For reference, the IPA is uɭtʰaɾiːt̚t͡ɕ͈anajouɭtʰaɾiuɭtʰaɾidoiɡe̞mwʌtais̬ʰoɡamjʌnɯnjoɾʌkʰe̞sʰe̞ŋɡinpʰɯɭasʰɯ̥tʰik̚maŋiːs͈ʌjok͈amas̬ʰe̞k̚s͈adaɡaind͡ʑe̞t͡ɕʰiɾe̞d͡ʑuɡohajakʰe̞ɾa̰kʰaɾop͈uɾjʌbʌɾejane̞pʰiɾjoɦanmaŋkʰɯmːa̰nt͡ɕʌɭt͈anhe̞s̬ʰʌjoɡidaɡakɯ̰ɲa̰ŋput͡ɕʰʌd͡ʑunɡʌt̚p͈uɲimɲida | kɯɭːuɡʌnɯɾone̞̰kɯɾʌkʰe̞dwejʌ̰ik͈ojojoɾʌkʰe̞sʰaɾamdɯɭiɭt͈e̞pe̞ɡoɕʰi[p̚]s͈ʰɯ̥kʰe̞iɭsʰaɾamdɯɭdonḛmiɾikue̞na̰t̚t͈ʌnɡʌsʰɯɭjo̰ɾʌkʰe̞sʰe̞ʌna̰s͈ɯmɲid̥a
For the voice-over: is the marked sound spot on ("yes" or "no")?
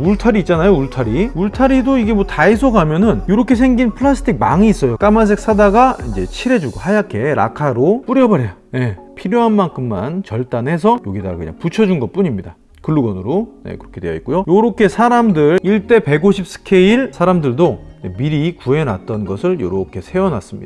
yes